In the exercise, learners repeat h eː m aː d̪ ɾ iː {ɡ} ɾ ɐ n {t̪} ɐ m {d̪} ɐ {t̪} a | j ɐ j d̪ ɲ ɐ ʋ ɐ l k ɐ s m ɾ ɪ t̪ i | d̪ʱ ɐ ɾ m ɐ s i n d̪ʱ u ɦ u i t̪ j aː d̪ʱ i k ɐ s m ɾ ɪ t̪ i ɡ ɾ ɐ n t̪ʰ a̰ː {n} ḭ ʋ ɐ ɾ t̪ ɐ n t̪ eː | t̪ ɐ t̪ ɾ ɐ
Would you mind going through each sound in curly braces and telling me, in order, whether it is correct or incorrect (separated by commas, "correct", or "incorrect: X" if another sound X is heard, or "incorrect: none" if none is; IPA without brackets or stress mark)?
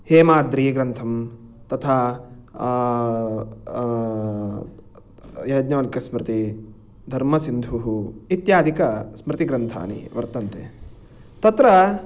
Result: correct, incorrect: t̪ʰ, incorrect: t̪, incorrect: t̪ʰ, correct